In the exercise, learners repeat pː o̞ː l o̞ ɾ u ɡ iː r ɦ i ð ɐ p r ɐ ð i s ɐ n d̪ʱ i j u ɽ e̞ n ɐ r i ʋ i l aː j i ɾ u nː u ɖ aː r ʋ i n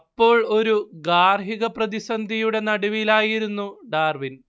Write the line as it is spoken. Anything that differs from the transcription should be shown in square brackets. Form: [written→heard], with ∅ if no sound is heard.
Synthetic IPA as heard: pː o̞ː [l→ɭ] o̞ ɾ u ɡ [iː→aː] r ɦ i [ð→ɣ] ɐ p r ɐ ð i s ɐ n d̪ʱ i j u ɽ e̞ n ɐ [r→ɽ] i ʋ i l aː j i ɾ u nː u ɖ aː r ʋ i n